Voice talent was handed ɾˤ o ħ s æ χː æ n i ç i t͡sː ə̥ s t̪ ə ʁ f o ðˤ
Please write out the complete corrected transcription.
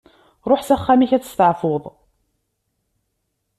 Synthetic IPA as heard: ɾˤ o ħ s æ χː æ m i ç æ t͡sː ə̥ s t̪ ə ʕ f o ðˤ